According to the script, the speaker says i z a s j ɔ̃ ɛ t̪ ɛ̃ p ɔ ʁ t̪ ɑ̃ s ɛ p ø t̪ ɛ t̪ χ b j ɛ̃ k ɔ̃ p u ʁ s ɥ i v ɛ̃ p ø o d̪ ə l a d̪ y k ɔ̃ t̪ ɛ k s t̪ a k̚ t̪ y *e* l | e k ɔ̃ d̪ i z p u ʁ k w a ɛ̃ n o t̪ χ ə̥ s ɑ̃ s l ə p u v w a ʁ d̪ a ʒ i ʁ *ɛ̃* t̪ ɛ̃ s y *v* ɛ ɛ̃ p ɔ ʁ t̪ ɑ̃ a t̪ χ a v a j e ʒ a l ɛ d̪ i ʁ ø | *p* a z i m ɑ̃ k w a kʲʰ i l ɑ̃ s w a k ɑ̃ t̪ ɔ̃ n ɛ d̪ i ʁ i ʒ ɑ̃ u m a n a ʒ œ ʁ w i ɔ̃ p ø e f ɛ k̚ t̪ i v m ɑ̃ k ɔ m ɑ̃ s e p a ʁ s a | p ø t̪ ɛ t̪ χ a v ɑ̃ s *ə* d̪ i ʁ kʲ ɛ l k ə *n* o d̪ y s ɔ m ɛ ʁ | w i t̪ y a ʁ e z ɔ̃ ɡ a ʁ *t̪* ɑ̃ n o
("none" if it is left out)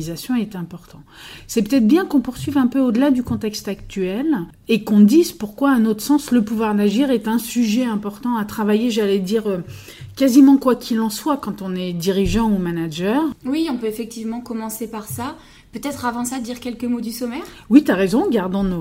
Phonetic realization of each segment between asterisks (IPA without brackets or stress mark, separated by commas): ɛ, ɛ, ʒ, k, a, m, d̪